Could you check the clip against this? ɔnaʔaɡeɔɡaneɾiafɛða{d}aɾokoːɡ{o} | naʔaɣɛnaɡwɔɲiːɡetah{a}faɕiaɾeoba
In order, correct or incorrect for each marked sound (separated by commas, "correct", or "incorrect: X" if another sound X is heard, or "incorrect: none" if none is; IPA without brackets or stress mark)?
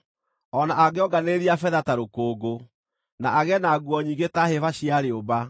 incorrect: t, correct, incorrect: e